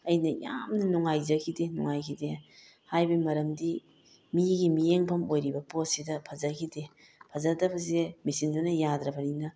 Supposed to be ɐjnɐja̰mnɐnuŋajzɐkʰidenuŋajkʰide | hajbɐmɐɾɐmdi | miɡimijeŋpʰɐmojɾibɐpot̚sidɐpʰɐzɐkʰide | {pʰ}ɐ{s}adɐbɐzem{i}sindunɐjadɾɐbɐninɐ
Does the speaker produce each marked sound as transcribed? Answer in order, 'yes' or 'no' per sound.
yes, no, yes

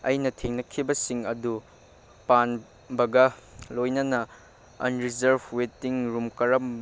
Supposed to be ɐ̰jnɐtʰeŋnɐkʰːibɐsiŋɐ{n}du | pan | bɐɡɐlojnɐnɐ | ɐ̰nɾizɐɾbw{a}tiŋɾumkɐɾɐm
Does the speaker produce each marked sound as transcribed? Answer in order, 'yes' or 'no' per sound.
no, no

